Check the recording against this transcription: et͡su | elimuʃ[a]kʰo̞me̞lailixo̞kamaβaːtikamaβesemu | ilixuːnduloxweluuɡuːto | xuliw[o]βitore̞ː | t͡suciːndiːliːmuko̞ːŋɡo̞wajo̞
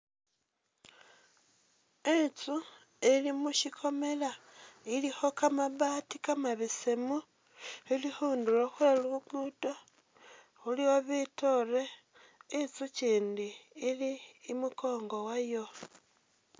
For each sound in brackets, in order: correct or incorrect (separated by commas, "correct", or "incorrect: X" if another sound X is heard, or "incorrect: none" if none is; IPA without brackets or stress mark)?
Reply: incorrect: i, correct